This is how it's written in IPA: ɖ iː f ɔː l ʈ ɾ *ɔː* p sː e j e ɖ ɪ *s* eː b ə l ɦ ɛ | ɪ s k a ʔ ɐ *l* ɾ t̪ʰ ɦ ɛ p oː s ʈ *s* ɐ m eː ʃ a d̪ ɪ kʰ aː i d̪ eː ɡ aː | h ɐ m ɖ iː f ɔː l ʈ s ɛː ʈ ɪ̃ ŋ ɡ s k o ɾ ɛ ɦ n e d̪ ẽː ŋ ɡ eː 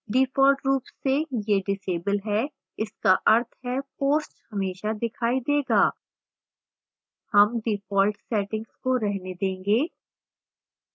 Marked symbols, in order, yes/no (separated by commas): no, yes, no, no